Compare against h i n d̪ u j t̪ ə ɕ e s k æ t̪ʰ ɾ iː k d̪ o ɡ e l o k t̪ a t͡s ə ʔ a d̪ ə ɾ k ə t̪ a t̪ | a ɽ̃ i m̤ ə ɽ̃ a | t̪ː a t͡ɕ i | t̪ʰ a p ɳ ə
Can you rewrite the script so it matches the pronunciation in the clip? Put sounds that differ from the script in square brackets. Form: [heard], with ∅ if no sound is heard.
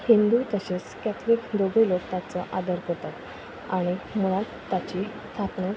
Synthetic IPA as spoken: h i n d̪ u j t̪ ə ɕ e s k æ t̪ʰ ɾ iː k d̪ o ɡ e l o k t̪ a t͡s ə ʔ a d̪ ə ɾ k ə t̪ a t̪ | a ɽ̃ i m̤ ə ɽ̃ a | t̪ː a t͡ɕ i | t̪ʰ a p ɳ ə